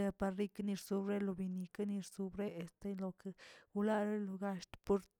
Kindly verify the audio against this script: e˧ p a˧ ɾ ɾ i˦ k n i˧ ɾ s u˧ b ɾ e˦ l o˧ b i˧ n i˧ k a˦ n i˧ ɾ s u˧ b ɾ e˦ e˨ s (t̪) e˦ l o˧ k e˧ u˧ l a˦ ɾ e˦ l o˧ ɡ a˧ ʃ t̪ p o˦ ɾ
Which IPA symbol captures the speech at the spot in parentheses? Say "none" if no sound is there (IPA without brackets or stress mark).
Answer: t̪